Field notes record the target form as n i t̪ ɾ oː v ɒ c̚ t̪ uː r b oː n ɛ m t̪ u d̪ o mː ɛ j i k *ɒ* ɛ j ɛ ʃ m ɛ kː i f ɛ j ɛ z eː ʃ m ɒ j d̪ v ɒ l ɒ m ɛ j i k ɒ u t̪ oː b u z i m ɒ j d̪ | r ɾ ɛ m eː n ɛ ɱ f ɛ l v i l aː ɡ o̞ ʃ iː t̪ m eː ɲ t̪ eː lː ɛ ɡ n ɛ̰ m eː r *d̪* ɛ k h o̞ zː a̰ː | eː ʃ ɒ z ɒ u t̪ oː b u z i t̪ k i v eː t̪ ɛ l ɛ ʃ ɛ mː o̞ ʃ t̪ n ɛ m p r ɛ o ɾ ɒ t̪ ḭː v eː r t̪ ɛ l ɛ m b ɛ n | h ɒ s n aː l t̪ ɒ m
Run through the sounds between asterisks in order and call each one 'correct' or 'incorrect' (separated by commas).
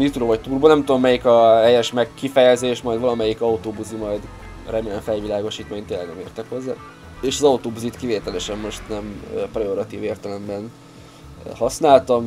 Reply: correct, incorrect